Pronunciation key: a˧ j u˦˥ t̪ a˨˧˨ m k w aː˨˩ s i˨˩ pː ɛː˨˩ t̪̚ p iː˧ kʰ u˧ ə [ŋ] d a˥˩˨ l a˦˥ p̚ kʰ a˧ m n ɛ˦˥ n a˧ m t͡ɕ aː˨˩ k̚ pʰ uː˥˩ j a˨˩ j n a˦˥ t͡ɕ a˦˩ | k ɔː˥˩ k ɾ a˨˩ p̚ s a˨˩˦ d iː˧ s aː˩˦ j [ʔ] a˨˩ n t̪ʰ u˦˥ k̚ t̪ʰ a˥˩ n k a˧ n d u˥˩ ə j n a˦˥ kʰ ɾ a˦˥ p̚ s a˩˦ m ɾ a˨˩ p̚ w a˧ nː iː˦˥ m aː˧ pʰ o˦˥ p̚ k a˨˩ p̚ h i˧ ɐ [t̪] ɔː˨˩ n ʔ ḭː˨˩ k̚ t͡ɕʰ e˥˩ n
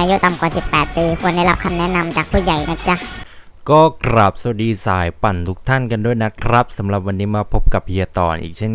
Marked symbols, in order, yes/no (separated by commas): no, no, yes